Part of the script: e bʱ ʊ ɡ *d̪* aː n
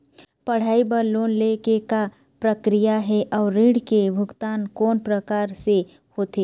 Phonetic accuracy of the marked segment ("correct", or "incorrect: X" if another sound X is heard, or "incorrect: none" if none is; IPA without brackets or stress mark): incorrect: t̪